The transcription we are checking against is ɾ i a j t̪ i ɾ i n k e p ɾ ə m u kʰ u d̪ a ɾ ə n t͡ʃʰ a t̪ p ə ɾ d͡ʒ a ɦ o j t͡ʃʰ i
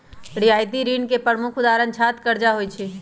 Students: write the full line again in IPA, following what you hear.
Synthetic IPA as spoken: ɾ i a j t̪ i ɾ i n k e p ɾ ə m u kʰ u d̪ a ɾ ə n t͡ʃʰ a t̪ k ə ɾ d͡ʒ a ɦ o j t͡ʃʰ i